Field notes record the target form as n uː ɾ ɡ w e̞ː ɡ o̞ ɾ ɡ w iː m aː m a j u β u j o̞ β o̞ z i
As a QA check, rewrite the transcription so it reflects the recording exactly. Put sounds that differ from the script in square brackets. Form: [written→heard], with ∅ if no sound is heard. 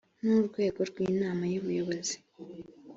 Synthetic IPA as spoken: n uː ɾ ɡ w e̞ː ɡ o̞ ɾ ɡ w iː [m→n] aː m a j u β u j o̞ β o̞ z i